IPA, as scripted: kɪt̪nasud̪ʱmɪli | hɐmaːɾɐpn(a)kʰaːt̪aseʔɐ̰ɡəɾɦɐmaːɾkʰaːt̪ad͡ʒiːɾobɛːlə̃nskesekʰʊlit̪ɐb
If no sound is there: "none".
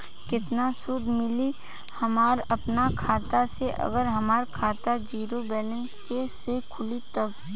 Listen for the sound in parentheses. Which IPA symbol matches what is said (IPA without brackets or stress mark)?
a